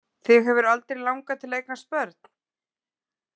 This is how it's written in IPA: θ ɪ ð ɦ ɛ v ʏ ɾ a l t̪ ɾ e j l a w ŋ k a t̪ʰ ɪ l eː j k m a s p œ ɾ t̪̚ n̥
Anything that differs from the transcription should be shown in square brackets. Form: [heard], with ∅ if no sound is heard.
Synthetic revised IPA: θ ɪ [ɣ] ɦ ɛ v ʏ ɾ a l t̪ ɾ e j l a w ŋ k a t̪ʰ ɪ l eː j k [n] a s p œ ɾ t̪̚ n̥